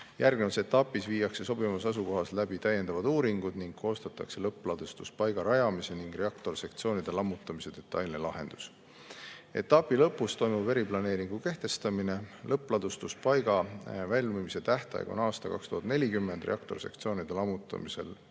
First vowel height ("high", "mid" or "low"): low